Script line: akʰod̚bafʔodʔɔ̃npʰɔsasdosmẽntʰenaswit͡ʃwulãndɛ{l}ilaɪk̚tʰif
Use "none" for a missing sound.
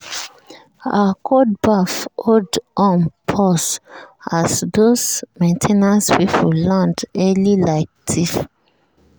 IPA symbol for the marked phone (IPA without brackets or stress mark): l